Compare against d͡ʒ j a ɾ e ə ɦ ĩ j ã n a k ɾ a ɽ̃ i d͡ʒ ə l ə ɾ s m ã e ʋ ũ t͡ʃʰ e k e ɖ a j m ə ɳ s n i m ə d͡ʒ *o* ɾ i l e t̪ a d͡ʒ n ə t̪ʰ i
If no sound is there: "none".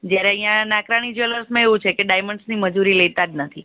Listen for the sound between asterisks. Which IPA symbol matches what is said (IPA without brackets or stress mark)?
u